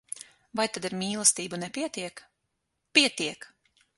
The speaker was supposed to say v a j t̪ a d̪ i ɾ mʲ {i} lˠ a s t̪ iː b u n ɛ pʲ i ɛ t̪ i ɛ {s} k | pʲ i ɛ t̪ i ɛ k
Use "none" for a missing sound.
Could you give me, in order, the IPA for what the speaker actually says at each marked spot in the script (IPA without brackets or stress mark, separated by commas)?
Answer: iː, none